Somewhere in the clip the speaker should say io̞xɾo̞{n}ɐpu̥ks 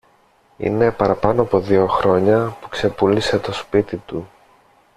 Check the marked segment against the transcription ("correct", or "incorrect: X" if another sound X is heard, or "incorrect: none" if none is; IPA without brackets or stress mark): incorrect: ɲ